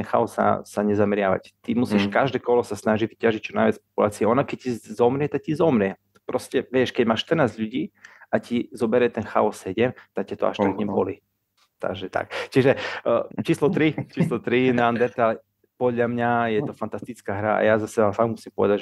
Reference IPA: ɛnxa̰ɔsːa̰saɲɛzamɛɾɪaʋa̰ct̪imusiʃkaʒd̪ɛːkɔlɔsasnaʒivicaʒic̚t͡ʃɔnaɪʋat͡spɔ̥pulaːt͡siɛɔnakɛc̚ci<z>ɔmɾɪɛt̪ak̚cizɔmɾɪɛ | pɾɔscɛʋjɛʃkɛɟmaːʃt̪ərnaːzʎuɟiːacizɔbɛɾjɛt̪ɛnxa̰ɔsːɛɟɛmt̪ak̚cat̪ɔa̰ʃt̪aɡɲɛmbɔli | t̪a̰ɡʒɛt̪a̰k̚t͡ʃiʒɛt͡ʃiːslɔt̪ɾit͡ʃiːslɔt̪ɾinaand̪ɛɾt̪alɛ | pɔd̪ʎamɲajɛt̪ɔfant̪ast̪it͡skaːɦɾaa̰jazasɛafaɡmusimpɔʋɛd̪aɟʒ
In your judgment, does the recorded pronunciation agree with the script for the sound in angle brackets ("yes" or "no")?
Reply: yes